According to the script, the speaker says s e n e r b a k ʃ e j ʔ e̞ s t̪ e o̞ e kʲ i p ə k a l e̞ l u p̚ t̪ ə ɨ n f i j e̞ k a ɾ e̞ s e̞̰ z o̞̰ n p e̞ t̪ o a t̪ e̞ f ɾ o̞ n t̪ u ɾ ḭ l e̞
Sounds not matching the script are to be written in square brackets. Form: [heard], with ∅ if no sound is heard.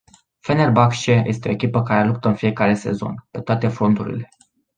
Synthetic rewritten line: [f] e n e r b a k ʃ e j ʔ e̞ s t̪ e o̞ e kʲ i p ə k a [ɾ] e̞ l u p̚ t̪ ə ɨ n f i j e̞ k a ɾ e̞ s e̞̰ z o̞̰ n p e̞ t̪ o a t̪ e̞ f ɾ o̞ n t̪ u ɾ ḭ l e̞

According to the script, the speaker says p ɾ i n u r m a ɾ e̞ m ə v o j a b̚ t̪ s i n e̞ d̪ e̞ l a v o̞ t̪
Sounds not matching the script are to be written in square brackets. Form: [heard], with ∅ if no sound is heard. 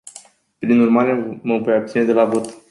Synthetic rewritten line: p ɾ i n u r m a ɾ e̞ m ə v o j a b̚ t̪ s i n e̞ d̪ e̞ l a v o̞ t̪

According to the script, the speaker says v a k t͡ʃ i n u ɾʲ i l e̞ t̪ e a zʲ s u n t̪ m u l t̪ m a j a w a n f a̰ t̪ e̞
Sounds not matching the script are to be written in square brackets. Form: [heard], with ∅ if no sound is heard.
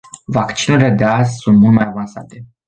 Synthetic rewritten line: v a k t͡ʃ i n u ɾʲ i l e̞ [d̪] e a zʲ s u n t̪ m u l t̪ m a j a [v] a n [s] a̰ t̪ e̞

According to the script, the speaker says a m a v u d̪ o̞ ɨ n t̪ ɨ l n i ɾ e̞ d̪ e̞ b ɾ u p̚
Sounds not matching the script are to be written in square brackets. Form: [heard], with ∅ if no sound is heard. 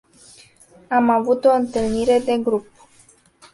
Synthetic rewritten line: a m a v u [t̪] o̞ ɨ n t̪ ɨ l n i ɾ e̞ d̪ e̞ [ɡ] ɾ u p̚

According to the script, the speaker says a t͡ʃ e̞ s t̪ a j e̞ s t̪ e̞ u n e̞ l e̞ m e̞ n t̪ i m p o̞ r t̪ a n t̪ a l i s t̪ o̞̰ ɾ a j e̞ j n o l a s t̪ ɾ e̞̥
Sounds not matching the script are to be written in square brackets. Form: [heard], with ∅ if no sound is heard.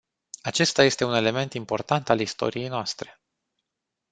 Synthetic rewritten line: a t͡ʃ e̞ s t̪ a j e̞ s t̪ e̞ u n e̞ l e̞ m e̞ n t̪ i m p o̞ r t̪ a n t̪ a l i s t̪ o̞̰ ɾ [i] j e̞ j n o [∅] a s t̪ ɾ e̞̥

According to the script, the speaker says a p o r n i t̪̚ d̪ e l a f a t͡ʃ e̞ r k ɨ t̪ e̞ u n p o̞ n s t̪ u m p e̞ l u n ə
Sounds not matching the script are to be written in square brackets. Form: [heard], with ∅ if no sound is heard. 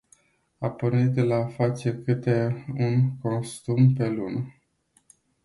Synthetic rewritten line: a p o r n i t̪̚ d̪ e l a f a t͡ʃ e̞ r k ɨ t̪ e̞ u n [k] o̞ n s t̪ u m p e̞ l u n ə

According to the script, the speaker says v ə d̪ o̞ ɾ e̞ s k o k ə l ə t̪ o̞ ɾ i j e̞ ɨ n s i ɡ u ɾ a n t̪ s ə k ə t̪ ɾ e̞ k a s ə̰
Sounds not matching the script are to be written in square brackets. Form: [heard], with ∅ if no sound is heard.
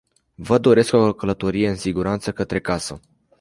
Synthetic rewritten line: v ə d̪ o̞ ɾ e̞ s k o k ə l ə t̪ o̞ ɾ i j e̞ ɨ n s i ɡ u ɾ a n t̪ s ə k ə t̪ ɾ e̞ k a s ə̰

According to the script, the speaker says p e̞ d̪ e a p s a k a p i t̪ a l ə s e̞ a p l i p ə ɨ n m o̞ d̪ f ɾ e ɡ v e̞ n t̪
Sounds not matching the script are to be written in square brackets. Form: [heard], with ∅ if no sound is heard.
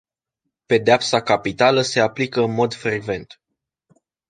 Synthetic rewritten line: p e̞ d̪ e a p s a k a p i t̪ a l ə s e̞ a p l i [k] ə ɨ n m o̞ d̪ f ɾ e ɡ v e̞ n t̪

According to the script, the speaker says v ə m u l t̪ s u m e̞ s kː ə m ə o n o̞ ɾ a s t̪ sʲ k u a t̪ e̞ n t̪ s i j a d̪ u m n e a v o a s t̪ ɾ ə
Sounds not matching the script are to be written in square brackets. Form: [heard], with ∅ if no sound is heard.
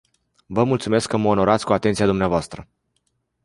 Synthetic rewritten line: v ə m u l t̪ s u m e̞ s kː ə m ə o n o̞ ɾ a [∅] t̪ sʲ k u a t̪ e̞ n t̪ s i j a d̪ u m n e a v o a s t̪ ɾ ə

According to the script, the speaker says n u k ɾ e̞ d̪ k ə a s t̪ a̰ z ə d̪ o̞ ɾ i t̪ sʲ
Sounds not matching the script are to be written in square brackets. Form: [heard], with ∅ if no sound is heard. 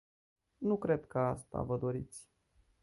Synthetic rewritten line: n u k ɾ e̞ d̪ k ə a s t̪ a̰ [v] ə d̪ o̞ ɾ i t̪ sʲ

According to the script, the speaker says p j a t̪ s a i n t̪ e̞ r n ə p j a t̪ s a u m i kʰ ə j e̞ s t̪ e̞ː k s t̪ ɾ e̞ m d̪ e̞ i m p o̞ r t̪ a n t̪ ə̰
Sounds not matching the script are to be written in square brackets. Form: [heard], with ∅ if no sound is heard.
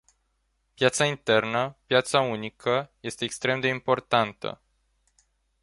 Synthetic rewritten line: p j a t̪ s a i n t̪ e̞ r n ə p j a t̪ s a u [n] i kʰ ə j e̞ s t̪ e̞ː k s t̪ ɾ e̞ m d̪ e̞ i m p o̞ r t̪ a n t̪ ə̰

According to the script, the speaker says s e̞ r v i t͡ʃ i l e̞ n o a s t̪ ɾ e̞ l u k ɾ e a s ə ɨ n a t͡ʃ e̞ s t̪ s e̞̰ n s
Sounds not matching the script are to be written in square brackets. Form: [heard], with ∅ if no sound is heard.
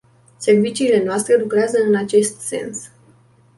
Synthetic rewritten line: s e̞ r v i t͡ʃ [iː] l e̞ n o a s t̪ ɾ e̞ l u k ɾ e a [z] ə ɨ n a t͡ʃ e̞ s t̪ s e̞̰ n s

